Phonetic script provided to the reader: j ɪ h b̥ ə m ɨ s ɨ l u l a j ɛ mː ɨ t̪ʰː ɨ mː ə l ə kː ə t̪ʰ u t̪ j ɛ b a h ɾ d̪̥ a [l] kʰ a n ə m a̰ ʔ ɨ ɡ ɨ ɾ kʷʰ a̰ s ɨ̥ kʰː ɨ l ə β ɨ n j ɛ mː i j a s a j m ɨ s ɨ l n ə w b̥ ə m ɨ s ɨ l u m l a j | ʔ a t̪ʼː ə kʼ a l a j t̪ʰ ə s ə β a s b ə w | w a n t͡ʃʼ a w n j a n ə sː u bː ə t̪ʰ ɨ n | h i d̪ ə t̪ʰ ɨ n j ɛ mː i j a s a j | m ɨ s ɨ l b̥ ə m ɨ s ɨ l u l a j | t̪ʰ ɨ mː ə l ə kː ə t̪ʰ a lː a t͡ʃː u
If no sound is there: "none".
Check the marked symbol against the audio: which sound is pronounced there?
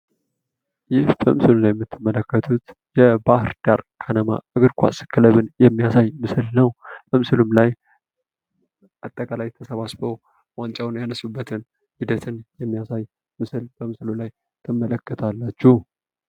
ɾ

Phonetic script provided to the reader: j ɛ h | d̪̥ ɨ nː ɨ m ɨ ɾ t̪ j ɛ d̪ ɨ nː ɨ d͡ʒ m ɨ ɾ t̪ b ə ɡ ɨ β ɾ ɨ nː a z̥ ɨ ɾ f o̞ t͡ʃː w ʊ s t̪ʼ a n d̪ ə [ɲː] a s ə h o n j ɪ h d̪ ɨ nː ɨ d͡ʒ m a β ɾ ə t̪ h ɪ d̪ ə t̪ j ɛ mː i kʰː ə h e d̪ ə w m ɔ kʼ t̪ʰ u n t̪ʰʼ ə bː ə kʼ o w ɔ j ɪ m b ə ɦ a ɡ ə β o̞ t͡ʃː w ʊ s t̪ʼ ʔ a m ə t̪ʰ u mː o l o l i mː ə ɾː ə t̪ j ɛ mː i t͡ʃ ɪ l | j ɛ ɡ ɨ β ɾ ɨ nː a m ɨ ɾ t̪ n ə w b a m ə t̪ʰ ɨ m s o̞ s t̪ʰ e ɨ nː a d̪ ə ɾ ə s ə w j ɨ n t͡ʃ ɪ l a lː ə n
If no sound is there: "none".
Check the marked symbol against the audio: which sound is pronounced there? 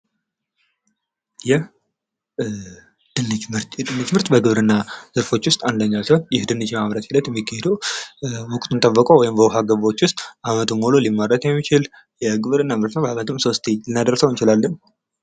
ɲː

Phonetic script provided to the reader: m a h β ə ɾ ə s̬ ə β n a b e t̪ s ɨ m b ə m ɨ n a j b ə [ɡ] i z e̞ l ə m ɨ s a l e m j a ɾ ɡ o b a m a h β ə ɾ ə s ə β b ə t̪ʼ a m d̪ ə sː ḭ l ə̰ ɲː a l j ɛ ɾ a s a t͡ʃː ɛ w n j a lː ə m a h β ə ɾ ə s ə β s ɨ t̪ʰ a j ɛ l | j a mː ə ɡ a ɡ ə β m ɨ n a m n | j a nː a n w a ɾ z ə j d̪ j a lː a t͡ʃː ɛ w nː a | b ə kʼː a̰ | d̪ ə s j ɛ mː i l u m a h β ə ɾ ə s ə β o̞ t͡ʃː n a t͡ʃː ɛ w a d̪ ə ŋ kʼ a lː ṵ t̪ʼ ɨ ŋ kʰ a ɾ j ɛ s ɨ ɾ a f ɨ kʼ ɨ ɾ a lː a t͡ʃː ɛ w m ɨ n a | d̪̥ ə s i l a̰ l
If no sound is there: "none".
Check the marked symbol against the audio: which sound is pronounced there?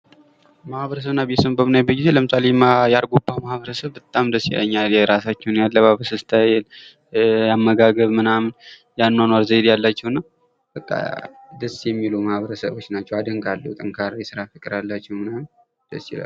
ɡ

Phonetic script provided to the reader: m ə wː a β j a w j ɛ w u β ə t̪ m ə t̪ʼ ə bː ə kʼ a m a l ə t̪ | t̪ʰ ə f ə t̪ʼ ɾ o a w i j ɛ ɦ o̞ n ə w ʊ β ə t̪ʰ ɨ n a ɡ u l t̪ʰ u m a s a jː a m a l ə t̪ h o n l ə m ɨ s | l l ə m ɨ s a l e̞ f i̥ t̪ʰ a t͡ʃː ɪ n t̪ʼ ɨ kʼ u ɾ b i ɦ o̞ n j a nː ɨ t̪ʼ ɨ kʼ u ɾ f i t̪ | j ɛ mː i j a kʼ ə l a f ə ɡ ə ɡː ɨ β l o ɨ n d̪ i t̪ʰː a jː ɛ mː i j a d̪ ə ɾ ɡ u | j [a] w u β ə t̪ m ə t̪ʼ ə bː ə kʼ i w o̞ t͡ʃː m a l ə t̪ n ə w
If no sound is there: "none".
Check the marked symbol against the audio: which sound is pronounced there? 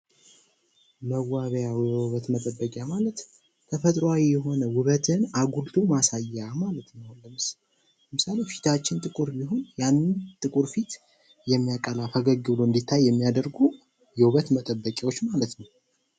ɛ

